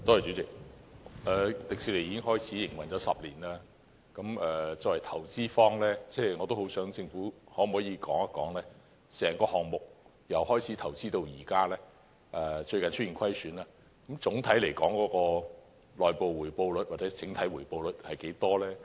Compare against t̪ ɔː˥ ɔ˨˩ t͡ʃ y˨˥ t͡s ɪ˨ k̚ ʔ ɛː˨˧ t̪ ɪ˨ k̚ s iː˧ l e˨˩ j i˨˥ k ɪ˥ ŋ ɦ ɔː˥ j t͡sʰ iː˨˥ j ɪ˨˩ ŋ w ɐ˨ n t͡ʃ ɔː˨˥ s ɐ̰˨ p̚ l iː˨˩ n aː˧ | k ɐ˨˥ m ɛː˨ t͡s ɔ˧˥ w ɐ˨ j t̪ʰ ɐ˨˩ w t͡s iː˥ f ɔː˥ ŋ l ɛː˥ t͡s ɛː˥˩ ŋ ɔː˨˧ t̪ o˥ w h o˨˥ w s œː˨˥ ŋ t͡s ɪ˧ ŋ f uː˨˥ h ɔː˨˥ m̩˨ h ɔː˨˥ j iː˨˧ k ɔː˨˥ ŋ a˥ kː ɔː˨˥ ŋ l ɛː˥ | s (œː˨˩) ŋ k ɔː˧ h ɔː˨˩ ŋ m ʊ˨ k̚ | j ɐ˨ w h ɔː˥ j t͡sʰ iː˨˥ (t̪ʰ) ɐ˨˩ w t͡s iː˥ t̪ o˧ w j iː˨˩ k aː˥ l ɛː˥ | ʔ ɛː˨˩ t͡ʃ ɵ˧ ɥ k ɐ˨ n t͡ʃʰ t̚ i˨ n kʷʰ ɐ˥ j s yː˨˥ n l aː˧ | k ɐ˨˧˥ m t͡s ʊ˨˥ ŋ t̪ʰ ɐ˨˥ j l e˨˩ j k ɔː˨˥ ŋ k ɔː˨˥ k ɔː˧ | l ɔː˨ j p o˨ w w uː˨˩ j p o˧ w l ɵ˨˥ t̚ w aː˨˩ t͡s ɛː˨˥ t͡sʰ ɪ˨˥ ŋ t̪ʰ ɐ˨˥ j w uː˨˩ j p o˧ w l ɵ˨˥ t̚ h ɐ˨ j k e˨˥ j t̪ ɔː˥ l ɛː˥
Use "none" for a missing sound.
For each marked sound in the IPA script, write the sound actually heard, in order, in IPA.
ɛː˨˩, t̪ʰ

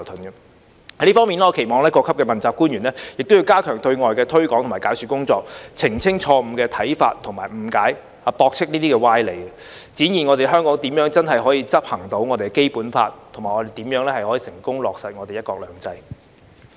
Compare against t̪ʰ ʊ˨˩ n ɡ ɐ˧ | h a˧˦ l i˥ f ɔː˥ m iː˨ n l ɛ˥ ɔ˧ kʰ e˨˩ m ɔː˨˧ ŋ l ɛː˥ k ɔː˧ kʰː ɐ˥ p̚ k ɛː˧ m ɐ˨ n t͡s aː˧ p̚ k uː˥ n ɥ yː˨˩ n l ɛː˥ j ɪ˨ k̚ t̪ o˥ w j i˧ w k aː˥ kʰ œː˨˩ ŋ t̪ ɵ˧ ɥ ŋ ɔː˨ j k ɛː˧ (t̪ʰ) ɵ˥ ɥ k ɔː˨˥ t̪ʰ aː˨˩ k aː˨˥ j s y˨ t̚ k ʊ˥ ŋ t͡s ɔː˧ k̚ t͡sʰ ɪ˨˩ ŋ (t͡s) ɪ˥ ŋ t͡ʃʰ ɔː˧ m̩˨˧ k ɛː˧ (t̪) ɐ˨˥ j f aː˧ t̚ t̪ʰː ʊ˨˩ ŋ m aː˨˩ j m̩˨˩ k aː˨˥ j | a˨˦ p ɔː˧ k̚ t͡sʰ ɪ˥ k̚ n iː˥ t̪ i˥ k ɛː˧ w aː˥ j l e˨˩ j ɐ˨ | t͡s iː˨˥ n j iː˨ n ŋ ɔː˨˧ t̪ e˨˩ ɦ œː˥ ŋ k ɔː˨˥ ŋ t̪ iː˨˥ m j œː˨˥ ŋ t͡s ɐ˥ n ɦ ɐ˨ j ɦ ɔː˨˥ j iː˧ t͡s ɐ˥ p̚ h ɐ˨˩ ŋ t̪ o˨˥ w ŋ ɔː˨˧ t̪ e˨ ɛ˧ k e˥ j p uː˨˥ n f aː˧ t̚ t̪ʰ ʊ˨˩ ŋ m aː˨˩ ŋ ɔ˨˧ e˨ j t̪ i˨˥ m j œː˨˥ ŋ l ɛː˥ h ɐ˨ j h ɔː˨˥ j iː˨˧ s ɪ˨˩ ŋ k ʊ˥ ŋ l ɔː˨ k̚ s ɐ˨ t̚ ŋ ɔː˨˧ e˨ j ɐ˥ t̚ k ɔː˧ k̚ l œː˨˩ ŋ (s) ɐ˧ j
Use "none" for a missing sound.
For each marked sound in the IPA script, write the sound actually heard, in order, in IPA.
t̪ʰ, t͡sʰ, t̪ʰ, t͡s

